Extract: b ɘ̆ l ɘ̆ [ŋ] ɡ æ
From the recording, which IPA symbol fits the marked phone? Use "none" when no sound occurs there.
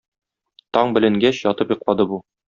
ŋ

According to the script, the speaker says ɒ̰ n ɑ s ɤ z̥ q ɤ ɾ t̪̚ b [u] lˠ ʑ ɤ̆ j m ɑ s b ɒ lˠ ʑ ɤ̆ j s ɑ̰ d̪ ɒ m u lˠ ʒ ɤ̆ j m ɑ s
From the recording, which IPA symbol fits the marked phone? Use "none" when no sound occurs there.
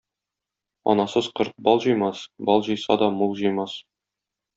ɒ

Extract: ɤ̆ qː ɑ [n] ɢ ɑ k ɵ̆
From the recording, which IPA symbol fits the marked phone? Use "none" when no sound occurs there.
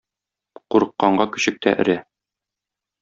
ɴ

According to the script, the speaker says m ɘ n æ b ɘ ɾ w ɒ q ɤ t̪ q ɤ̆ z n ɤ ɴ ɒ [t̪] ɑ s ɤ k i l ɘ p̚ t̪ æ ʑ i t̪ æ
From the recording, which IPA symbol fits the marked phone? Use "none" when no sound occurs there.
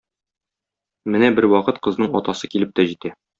t̪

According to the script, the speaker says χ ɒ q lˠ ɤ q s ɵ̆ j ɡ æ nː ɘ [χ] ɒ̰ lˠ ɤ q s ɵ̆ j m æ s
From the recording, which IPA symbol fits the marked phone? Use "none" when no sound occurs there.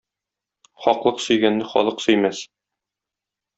χ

